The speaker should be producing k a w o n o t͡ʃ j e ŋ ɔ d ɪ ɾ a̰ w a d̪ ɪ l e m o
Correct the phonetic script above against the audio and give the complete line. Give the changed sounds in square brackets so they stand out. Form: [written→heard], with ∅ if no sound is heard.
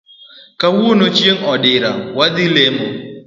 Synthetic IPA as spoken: k a w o n o t͡ʃ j e ŋ ɔ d ɪ ɾ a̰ w a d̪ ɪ l e m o